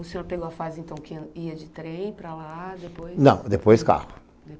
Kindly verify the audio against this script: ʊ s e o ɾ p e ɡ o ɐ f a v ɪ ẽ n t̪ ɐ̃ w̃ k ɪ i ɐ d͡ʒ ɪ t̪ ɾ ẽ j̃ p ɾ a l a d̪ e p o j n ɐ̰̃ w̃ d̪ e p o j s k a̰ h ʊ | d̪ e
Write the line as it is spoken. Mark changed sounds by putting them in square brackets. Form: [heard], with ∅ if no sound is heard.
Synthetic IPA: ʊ s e o ɾ p e ɡ o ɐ f a [z] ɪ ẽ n t̪ ɐ̃ w̃ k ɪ i ɐ d͡ʒ ɪ t̪ ɾ ẽ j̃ p ɾ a l a d̪ e p o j n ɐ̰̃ w̃ d̪ e p o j s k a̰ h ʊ | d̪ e